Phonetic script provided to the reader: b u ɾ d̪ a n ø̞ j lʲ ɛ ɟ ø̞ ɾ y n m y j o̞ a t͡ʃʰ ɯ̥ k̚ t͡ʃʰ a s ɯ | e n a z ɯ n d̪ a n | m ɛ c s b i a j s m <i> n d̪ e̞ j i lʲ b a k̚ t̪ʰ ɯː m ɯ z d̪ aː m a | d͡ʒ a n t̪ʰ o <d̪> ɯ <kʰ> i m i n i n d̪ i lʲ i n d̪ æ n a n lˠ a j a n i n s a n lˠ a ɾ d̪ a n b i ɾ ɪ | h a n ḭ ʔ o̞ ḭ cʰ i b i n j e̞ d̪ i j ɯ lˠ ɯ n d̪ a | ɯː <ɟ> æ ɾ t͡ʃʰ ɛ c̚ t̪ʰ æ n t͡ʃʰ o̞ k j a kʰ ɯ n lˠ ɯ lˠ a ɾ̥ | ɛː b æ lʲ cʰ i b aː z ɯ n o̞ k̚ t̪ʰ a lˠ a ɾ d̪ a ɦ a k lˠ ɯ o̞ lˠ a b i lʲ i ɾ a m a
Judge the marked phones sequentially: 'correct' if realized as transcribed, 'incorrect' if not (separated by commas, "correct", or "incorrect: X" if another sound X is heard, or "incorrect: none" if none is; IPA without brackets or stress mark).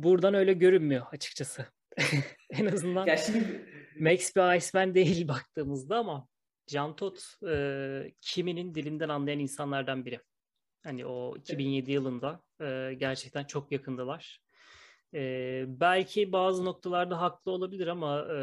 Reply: incorrect: æ, incorrect: t̪, incorrect: cʰ, correct